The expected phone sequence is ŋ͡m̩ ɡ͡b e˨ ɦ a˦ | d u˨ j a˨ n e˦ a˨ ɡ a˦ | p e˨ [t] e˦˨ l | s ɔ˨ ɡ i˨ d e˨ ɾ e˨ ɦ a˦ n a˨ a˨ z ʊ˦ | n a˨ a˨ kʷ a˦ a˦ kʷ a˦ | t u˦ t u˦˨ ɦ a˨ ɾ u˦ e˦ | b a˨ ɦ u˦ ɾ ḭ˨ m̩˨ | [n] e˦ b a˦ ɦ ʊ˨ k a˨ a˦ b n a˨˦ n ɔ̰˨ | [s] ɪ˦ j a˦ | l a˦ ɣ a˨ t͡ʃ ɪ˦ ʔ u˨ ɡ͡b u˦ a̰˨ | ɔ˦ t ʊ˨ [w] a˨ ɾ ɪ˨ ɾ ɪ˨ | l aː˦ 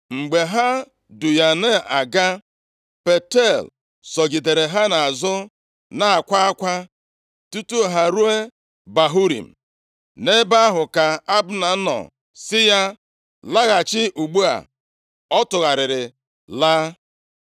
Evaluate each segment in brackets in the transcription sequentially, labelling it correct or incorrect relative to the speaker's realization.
correct, correct, correct, incorrect: ɣ

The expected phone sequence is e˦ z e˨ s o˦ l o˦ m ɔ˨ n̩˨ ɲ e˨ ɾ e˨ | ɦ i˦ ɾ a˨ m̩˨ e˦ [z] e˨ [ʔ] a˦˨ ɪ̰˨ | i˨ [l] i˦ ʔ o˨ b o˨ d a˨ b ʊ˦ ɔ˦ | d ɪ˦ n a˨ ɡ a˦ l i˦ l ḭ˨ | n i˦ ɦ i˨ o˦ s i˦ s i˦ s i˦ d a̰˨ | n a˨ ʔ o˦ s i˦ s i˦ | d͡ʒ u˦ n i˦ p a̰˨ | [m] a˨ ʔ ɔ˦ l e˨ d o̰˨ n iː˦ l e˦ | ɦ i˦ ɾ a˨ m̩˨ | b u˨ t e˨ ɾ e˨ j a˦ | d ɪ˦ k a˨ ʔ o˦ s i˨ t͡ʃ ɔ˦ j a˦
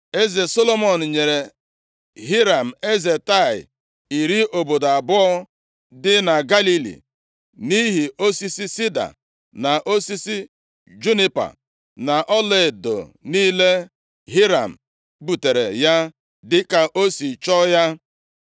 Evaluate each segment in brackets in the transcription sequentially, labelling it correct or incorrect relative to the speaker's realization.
correct, incorrect: t, incorrect: ɾ, incorrect: n

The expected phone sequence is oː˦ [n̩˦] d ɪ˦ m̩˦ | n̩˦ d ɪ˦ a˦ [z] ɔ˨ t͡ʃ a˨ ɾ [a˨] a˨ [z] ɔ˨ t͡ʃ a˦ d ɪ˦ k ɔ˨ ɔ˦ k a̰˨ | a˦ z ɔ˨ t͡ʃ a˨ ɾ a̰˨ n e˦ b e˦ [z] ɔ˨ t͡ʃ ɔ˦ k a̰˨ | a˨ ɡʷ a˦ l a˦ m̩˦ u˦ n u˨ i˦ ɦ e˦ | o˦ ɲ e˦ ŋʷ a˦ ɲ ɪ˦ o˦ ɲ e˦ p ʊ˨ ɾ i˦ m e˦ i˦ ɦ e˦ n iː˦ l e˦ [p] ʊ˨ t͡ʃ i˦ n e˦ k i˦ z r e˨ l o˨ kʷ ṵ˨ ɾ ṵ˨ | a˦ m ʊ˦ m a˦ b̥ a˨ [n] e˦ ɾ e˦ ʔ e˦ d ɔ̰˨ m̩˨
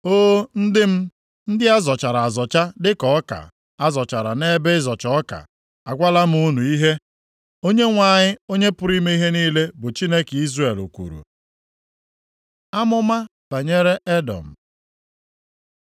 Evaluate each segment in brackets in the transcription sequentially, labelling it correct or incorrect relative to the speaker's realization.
correct, correct, correct, correct, correct, incorrect: b, incorrect: ɲ

